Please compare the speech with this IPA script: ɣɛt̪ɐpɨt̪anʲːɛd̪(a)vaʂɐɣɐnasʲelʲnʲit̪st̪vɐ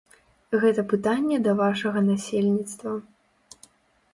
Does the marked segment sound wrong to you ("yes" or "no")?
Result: yes